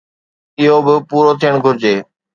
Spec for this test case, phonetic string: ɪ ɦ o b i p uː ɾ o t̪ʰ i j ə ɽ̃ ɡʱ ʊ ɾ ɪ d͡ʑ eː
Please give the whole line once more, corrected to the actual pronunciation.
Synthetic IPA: ɪ ɦ o b ɪ p uː ɾ o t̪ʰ i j ə ɽ̃ ɡʱ ʊ ɾ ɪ d͡ʑ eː